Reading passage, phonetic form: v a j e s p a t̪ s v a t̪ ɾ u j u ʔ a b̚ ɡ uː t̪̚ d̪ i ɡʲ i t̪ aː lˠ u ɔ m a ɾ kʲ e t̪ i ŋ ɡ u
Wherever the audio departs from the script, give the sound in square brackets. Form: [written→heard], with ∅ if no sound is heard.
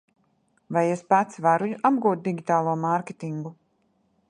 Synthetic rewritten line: v a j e s p a t̪ s v a [t̪→∅] ɾ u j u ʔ a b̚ ɡ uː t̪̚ d̪ i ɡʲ i t̪ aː lˠ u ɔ m a ɾ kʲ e t̪ i ŋ ɡ u